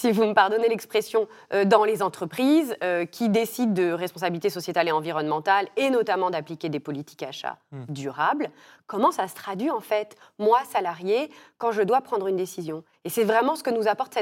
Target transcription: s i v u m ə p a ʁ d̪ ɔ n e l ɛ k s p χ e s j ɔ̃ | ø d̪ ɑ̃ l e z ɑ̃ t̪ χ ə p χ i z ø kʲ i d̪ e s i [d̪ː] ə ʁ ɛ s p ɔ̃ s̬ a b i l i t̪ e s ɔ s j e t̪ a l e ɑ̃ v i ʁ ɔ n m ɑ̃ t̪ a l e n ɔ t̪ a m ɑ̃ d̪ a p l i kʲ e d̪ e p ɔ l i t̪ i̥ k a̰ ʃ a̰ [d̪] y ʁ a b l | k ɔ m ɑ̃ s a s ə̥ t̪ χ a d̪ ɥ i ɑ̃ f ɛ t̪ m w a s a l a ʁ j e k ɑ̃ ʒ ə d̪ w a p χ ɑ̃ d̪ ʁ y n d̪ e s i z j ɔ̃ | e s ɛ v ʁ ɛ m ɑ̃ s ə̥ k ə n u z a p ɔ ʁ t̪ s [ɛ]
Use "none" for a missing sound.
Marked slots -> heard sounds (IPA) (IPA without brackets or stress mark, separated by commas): d̪ː, d̪, ɛ